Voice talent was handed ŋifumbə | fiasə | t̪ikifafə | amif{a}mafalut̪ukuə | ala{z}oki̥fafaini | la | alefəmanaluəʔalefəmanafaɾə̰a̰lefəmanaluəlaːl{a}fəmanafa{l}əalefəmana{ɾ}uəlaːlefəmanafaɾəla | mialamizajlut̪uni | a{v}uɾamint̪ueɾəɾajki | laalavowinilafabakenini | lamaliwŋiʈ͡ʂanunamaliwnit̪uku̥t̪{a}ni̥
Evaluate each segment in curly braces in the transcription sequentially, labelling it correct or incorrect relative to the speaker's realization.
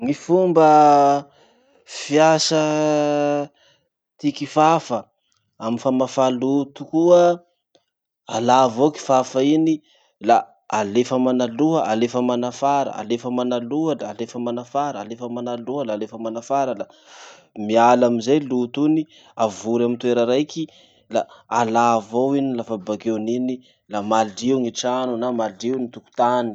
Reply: correct, incorrect, incorrect, incorrect, incorrect, correct, correct

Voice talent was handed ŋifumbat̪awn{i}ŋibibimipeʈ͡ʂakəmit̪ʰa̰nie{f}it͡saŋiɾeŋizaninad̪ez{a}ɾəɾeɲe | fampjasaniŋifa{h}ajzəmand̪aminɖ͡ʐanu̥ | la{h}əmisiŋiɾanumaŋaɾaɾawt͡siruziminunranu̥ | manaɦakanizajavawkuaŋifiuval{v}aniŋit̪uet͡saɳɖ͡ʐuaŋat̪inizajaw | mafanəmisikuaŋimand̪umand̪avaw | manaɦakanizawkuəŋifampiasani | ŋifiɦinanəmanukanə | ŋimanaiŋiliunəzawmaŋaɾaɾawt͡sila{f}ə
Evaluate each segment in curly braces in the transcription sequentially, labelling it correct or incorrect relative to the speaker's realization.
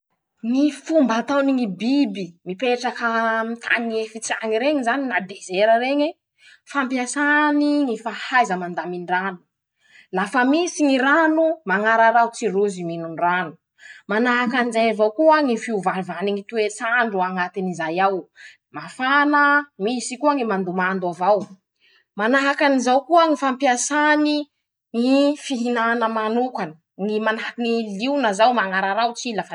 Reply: correct, correct, incorrect, correct, incorrect, correct, correct

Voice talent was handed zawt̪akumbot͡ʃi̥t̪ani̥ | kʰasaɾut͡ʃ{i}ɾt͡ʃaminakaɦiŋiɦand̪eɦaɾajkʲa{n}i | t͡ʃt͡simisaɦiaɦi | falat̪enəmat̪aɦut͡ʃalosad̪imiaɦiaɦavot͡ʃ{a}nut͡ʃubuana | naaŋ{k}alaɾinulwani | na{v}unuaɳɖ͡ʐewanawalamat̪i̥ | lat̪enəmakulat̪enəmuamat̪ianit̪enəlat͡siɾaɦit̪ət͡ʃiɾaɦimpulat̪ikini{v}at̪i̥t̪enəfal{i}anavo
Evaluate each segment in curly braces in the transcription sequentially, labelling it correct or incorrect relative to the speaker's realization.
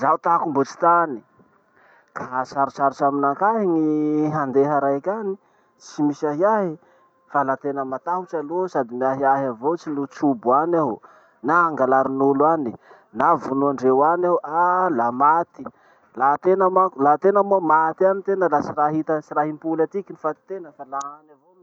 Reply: incorrect, correct, incorrect, incorrect, correct, incorrect, incorrect

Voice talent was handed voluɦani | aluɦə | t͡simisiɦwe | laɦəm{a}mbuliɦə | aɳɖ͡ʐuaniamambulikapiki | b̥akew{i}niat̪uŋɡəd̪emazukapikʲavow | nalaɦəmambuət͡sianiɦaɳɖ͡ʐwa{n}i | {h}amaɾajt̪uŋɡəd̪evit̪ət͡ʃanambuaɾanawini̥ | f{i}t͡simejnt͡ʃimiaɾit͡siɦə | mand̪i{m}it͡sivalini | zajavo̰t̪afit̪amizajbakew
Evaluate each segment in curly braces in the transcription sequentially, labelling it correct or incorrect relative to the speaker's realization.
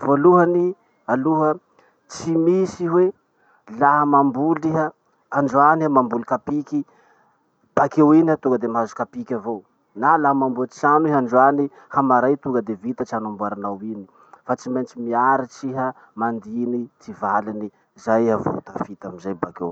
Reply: correct, correct, correct, correct, incorrect, incorrect

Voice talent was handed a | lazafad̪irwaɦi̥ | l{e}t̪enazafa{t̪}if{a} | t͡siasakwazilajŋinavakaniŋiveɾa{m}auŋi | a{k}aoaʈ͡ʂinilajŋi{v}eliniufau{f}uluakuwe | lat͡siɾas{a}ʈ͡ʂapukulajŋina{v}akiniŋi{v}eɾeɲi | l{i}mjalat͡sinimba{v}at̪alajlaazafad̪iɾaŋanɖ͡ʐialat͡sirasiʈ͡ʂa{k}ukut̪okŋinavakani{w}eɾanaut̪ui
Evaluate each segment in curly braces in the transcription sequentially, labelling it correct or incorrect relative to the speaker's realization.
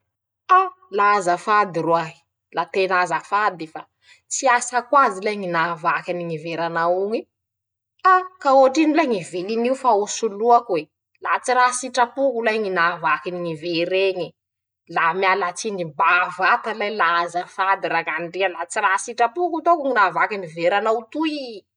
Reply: incorrect, incorrect, correct, incorrect, correct, correct, incorrect, incorrect, correct, correct, incorrect, correct, incorrect, incorrect

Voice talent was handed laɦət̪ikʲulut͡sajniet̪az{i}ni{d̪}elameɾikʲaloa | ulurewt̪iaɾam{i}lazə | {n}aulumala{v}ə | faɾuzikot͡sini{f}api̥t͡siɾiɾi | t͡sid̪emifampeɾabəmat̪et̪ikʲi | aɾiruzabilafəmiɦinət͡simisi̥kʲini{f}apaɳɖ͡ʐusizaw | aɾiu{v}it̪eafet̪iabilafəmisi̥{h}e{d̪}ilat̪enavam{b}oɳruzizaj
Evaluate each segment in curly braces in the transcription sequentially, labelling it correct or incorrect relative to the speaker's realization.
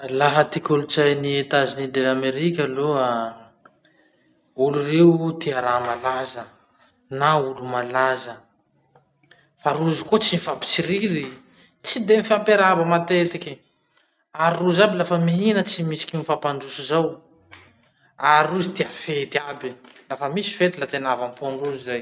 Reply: correct, correct, incorrect, correct, incorrect, correct, correct, incorrect, incorrect, incorrect, incorrect

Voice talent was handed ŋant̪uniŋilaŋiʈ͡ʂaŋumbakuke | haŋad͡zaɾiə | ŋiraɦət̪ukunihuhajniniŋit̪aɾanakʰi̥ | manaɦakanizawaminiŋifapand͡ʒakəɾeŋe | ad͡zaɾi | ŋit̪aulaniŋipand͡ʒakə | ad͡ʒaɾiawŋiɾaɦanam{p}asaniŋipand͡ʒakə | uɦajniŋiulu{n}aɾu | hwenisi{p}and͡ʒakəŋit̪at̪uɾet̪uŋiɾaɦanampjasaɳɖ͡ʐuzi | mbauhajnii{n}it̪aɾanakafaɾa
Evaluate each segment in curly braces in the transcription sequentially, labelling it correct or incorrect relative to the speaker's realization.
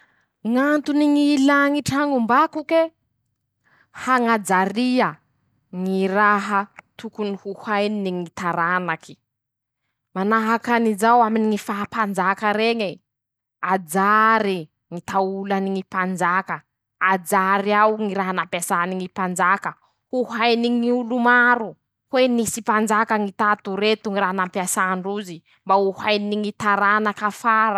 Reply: correct, incorrect, correct, incorrect

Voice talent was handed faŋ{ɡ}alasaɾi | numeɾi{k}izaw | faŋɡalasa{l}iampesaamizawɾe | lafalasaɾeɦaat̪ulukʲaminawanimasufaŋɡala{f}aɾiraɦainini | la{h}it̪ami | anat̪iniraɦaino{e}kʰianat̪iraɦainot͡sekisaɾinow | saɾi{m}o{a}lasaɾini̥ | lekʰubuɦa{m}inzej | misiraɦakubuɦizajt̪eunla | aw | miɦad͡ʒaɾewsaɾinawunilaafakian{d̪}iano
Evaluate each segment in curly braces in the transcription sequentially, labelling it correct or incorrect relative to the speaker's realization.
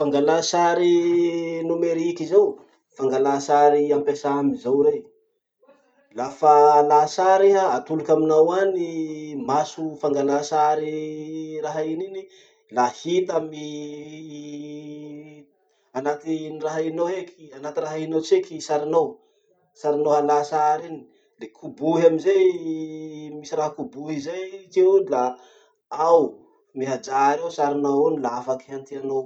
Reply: correct, correct, incorrect, incorrect, correct, correct, incorrect, correct, correct, incorrect

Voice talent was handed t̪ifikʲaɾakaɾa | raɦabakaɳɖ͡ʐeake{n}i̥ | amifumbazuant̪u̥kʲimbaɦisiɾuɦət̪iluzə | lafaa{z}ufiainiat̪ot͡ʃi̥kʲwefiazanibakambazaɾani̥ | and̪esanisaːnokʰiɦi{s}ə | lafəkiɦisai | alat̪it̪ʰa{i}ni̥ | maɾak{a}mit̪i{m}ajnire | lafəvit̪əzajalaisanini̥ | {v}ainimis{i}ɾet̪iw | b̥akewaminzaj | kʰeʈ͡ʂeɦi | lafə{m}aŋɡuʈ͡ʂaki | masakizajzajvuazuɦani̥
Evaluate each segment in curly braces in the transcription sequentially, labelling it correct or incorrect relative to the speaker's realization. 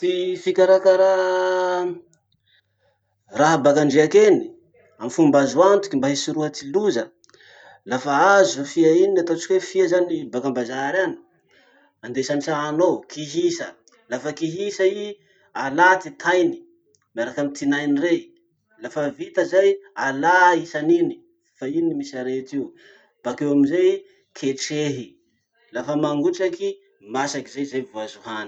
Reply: correct, correct, correct, incorrect, correct, incorrect, incorrect, incorrect, correct

